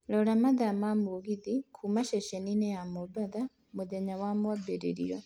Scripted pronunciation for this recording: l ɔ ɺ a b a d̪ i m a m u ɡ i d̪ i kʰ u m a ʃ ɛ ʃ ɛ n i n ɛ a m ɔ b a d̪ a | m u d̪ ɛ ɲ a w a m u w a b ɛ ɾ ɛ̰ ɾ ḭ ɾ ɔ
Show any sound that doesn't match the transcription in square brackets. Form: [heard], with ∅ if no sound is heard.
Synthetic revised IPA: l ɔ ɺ a [m] a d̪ [a] m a m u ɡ i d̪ i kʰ u m a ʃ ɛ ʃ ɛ n i n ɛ a m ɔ b a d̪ a | m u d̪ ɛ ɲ a w a m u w a b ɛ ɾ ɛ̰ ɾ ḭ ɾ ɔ

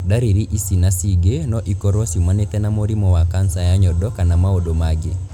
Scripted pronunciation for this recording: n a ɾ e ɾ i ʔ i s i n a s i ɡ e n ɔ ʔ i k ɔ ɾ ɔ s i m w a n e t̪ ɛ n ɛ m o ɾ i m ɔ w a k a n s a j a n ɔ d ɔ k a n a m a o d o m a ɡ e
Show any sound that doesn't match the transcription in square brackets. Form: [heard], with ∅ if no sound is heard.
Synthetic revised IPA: [d] a ɾ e ɾ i ʔ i s i n a s i ɡ e n ɔ ʔ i k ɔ ɾ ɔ s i m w a n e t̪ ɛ n [a] m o ɾ i m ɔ w a k a n s a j a [ɲ] ɔ d ɔ k a n a m a o d o m a ɡ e

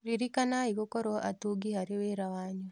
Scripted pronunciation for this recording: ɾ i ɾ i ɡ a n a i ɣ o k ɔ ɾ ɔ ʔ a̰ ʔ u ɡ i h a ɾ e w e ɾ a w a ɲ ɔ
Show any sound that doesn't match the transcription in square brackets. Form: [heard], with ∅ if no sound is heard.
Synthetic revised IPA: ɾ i ɾ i [k] a n a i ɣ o k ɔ ɾ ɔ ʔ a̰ [t] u ɡ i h a ɾ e w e ɾ a w a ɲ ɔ

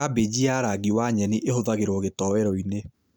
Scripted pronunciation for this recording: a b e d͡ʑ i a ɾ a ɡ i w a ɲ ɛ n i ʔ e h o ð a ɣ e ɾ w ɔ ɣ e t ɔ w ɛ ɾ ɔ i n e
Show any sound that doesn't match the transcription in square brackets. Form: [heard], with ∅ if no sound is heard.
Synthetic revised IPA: a b e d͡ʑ i a ɾ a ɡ i w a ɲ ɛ n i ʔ e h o ð a ɣ e ɾ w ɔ ɣ e t ɔ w ɛ ɾ ɔ i n e

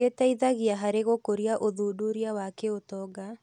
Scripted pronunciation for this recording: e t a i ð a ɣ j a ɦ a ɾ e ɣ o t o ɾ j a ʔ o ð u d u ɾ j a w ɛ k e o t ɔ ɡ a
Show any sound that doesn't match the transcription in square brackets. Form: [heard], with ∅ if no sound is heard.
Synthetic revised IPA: e t a i ð a ɣ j a ɦ a ɾ e ɣ o [k] o ɾ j a ʔ o ð u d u ɾ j a w [a] k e o t ɔ ɡ a

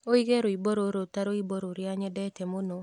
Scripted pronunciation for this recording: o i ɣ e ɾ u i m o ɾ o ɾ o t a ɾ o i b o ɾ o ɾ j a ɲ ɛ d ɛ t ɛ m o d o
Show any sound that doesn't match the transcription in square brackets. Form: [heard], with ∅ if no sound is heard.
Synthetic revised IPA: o i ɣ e ɾ [o] i [b] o ɾ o ɾ o t a ɾ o i b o ɾ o ɾ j a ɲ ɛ d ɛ t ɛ m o [n] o

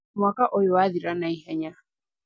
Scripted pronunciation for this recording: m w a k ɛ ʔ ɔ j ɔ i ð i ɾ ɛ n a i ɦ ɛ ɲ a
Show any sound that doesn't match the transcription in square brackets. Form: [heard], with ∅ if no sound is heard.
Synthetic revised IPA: m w a k [a] ʔ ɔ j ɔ [a] ð i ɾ [a] n a i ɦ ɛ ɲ a

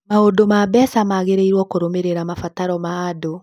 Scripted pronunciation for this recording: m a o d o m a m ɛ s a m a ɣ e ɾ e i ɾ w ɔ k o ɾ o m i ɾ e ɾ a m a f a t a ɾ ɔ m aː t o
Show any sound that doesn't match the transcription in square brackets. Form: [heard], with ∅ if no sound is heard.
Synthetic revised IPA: m a o d o m a [b] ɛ s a m a ɣ e ɾ e i ɾ w ɔ k o ɾ o m [e] ɾ e ɾ a m a f a t a ɾ ɔ m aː [d] o

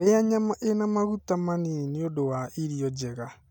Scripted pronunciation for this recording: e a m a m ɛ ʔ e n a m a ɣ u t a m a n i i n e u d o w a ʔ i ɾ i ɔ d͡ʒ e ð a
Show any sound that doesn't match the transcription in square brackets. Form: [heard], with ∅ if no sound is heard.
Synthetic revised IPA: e a [ɲ] a m [a] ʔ e n a m a ɣ u t a m a n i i n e [o] d o w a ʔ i ɾ i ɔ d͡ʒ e [ɣ] a

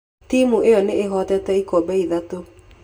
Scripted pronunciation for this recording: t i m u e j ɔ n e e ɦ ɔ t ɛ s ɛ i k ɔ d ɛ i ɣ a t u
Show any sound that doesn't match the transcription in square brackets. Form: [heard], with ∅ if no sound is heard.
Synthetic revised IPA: t i m u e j ɔ n e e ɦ ɔ t ɛ [t] ɛ i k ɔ [b] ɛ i [ð] a t [o]

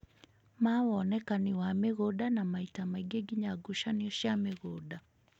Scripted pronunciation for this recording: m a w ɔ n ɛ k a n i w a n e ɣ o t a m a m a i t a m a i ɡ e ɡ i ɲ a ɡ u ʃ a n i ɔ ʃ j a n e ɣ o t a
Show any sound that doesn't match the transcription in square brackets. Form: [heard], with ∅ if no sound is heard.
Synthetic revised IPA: m a w ɔ n ɛ k a n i w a [m] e ɣ o [d] a [n] a m a i t a m a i ɡ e ɡ i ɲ a ɡ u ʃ a n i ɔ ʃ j a [m] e ɣ o [d] a

